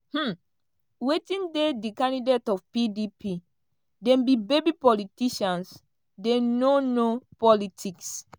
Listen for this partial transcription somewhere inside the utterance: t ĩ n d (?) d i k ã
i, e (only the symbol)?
e